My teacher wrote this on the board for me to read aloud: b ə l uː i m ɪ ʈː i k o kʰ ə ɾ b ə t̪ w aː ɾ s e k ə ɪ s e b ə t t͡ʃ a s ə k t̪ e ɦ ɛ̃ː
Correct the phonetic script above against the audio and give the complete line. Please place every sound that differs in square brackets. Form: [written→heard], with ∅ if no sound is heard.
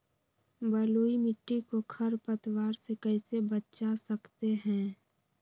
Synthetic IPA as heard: b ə l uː i m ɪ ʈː i k o kʰ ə ɾ [b→p] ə t̪ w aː ɾ s e k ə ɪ s e b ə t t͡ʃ a s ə k t̪ e ɦ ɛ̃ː